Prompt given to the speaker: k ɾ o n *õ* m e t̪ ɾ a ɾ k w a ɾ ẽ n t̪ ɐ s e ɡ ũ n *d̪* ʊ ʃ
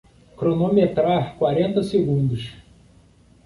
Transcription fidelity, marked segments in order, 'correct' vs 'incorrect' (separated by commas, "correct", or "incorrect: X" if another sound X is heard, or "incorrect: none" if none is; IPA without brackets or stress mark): incorrect: o, correct